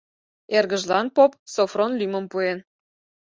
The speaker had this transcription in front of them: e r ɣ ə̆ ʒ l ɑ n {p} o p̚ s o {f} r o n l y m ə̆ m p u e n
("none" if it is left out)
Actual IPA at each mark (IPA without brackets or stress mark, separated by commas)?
p, f